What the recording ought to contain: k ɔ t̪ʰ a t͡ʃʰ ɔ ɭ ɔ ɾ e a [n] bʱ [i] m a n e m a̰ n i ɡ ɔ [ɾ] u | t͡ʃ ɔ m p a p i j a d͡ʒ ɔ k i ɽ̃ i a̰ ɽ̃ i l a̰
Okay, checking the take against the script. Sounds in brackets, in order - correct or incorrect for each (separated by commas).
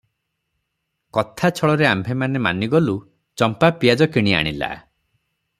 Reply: incorrect, incorrect, incorrect